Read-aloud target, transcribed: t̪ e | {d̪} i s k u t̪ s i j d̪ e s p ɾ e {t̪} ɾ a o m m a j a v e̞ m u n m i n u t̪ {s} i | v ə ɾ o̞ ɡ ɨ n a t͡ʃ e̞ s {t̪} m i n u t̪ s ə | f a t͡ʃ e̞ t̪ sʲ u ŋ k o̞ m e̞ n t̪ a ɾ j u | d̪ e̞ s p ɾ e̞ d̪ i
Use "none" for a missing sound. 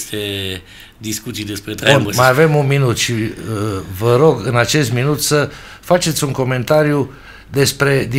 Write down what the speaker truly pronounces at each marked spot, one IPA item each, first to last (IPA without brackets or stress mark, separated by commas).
d̪, t̪, ʃ, t̪